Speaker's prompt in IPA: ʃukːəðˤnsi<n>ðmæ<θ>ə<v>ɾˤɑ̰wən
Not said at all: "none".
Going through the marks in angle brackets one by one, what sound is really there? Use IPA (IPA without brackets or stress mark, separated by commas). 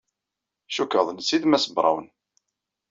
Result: none, s, b